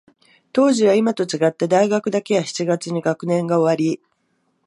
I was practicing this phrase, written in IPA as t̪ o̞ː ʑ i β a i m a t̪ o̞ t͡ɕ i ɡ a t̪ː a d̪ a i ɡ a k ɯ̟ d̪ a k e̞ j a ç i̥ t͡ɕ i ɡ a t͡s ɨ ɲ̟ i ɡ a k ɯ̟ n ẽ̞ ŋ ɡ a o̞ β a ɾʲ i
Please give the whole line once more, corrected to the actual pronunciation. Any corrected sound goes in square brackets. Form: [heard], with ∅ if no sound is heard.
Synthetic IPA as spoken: t̪ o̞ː ʑ i β a i m a t̪ o̞ t͡ɕ i ɡ a t̪ː a d̪ a i ɡ a k ɯ̟ d̪ a k e̞ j a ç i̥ t͡ɕ i ɡ a t͡s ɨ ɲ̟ i ɡ a k ɯ̟ n ẽ̞ ŋ ɡ a o̞ β a ɾʲ i